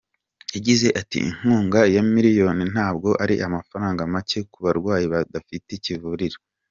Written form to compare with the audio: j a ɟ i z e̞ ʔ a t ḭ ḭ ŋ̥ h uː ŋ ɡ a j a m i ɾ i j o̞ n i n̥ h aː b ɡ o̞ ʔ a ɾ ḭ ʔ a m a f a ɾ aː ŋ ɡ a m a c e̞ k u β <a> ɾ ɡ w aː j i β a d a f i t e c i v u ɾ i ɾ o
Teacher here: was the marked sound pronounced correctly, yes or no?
yes